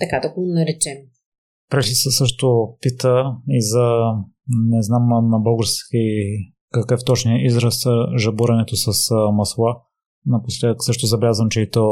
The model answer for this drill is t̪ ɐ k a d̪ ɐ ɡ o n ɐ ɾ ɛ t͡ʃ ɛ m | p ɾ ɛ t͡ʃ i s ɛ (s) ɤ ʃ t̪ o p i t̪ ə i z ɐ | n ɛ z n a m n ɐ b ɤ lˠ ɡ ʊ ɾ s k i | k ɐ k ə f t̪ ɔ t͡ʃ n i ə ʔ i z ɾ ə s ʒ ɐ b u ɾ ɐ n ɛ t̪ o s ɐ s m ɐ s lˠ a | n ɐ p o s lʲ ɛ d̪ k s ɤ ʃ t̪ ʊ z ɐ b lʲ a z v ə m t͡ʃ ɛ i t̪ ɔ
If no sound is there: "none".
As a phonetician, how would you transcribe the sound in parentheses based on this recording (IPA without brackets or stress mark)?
s